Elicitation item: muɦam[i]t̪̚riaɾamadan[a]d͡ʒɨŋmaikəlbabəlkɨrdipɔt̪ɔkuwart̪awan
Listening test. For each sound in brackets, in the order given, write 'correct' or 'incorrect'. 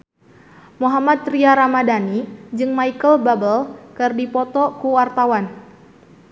incorrect, incorrect

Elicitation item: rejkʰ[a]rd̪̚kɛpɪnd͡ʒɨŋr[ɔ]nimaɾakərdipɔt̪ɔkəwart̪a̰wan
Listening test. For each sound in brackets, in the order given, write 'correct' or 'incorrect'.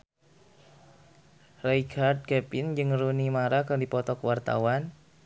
correct, incorrect

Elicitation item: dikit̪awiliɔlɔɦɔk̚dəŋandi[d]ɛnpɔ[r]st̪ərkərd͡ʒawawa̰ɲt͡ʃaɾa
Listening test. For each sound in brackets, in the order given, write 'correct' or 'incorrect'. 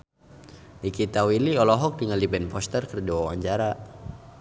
incorrect, incorrect

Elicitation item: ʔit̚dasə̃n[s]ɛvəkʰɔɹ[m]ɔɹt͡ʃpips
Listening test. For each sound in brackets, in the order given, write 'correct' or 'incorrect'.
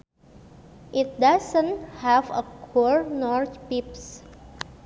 incorrect, incorrect

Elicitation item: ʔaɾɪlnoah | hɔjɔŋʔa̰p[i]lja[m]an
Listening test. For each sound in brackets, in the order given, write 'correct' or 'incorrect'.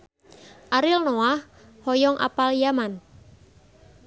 incorrect, correct

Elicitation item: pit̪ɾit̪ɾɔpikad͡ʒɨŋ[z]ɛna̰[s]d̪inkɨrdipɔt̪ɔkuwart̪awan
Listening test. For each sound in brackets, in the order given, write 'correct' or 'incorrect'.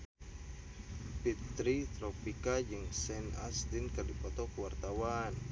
incorrect, correct

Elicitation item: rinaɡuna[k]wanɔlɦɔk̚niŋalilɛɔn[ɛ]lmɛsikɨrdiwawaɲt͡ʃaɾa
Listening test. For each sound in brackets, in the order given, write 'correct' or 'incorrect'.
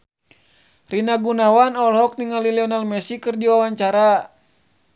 incorrect, incorrect

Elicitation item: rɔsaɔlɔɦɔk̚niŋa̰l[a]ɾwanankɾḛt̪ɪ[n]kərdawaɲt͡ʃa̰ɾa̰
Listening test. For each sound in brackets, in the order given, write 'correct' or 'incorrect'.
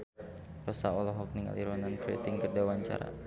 incorrect, incorrect

